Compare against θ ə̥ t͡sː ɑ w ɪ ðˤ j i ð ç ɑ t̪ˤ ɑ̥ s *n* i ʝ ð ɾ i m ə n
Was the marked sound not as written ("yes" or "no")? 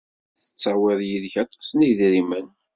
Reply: no